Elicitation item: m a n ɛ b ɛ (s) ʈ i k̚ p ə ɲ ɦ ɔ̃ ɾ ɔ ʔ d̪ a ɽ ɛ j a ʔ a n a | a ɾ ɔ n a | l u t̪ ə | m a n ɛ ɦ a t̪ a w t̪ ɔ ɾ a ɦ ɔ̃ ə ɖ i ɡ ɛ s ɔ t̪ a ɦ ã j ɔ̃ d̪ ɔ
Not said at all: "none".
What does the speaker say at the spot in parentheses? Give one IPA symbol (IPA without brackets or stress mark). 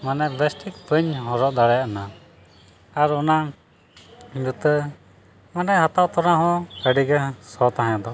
s